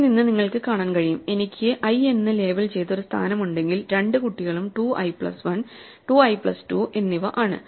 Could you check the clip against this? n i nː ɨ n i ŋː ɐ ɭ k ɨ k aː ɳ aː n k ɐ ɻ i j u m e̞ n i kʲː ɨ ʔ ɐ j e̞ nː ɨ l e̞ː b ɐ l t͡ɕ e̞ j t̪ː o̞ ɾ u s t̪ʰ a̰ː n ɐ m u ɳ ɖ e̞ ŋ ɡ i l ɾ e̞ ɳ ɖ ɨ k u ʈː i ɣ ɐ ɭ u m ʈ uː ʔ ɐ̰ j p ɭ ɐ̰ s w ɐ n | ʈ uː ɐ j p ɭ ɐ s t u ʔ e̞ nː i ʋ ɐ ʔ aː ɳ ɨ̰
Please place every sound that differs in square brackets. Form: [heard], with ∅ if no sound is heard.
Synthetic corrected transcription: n i nː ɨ n i ŋː ɐ ɭ k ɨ k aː ɳ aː n k ɐ ɻ i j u m e̞ n i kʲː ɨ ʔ ɐ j e̞ nː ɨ l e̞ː b ɐ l t͡ɕ e̞ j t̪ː o̞ ɾ u s t̪ʰ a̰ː n ɐ m u ɳ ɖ e̞ ŋ ɡ i l ɾ e̞ ɳ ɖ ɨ k u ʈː i ɣ ɐ ɭ u m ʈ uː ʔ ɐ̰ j p ɭ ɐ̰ s [ʋ] ɐ n | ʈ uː ɐ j p ɭ ɐ s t u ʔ e̞ nː i ʋ ɐ ʔ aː ɳ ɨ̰

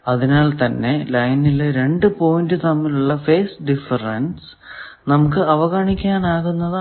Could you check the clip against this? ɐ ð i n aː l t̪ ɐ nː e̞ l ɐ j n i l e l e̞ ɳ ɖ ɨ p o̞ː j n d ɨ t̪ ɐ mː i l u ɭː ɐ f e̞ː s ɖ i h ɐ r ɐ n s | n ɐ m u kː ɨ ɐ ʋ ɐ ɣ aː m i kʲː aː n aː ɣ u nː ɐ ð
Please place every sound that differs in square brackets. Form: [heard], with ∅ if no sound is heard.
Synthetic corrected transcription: ɐ ð i n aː l t̪ ɐ nː e̞ l ɐ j n i l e [ɾ] e̞ ɳ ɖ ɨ p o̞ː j n d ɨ t̪ ɐ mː i l u ɭː ɐ f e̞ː s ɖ i [f] ɐ r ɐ n s | n ɐ m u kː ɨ ɐ ʋ ɐ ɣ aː [ɳ] i kʲː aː n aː ɣ u nː ɐ ð

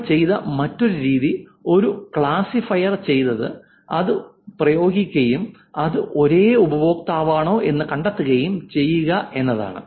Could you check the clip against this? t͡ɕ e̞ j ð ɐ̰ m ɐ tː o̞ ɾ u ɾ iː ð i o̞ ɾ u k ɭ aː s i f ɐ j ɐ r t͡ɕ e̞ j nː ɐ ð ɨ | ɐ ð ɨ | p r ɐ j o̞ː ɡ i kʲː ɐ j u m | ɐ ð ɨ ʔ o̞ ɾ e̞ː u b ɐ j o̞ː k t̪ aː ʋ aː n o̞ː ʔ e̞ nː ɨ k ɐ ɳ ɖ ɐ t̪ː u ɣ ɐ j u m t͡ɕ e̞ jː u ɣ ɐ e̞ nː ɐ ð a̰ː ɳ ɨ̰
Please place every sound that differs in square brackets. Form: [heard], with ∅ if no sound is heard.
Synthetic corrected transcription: t͡ɕ e̞ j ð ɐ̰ m ɐ tː o̞ ɾ u ɾ iː ð i o̞ ɾ u k ɭ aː s i f ɐ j ɐ r t͡ɕ e̞ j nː ɐ ð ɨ | ɐ ð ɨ | p r ɐ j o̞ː ɡ i kʲː ɐ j u m | ɐ ð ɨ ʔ o̞ ɾ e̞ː u b ɐ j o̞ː k t̪ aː ʋ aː [ɳ] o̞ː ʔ e̞ nː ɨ k ɐ ɳ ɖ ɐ t̪ː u ɣ ɐ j u m t͡ɕ e̞ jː u ɣ ɐ e̞ nː ɐ ð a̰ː ɳ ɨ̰

